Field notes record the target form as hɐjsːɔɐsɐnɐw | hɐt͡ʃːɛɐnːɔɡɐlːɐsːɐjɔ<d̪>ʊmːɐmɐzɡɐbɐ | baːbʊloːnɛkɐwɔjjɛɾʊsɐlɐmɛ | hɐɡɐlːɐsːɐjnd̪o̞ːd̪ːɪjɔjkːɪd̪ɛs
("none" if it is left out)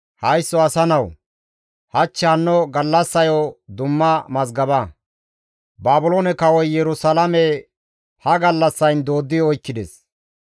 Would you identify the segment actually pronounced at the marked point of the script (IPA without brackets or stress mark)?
d̪